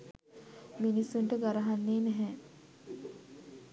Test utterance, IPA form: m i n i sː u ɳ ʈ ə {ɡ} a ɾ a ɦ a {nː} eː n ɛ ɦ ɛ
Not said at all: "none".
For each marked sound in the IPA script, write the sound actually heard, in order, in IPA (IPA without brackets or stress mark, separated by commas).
ɡ, nː